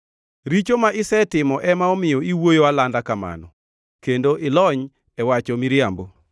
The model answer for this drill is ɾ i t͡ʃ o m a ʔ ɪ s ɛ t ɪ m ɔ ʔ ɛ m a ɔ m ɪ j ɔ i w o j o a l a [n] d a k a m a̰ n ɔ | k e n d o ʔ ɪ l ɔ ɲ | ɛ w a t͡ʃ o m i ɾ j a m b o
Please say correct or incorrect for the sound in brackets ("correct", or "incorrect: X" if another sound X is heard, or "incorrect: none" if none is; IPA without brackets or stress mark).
correct